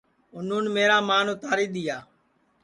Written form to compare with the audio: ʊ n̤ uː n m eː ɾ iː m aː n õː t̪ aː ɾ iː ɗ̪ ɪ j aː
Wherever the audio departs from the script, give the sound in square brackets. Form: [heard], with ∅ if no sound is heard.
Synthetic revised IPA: ʊ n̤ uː n m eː ɾ [aː] m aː n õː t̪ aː ɾ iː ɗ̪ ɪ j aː